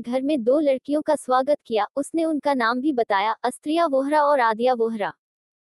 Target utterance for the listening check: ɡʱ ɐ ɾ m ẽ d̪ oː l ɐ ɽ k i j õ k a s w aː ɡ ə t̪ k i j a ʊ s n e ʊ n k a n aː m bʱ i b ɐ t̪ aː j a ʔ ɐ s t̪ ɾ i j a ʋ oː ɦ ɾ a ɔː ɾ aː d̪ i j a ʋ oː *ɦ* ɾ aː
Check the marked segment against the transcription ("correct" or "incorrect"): correct